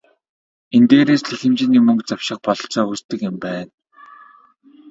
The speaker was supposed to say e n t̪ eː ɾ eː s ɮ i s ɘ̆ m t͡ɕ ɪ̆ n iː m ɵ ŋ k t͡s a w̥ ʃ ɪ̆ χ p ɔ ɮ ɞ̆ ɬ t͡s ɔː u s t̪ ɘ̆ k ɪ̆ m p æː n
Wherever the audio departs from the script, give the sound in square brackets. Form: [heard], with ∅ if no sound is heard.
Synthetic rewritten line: e n t̪ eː ɾ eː s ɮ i [x] ɘ̆ m t͡ɕ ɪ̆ n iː m ɵ ŋ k t͡s a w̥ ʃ ɪ̆ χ p ɔ ɮ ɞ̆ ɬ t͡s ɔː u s t̪ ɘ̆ k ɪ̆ m p æː n